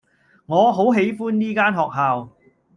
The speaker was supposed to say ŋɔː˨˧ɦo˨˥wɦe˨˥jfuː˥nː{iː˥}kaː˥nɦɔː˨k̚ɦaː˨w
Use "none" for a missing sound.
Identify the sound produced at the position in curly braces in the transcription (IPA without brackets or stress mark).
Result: iː˥